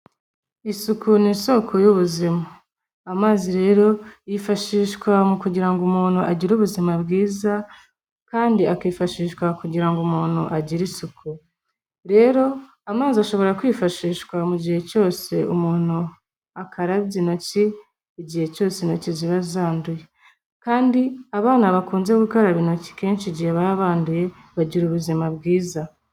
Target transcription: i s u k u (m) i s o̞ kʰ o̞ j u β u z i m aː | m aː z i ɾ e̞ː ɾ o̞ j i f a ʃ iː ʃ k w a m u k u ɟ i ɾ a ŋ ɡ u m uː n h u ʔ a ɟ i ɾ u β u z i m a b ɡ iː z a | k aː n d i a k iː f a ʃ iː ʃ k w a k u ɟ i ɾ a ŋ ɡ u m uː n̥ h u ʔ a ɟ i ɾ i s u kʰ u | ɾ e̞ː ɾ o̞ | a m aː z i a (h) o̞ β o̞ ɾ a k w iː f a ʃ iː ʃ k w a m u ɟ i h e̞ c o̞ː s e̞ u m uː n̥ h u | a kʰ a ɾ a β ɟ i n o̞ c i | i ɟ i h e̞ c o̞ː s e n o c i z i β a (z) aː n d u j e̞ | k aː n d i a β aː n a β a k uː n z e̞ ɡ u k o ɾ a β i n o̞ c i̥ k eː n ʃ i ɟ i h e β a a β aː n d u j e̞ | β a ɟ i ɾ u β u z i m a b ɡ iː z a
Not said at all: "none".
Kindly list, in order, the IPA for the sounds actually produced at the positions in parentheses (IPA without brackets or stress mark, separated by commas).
n, ʃ, z